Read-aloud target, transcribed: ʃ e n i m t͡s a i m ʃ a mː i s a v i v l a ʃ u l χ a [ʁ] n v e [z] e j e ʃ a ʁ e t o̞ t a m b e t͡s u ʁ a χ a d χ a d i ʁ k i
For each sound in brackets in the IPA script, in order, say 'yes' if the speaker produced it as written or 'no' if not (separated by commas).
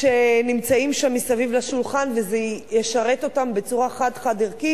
no, yes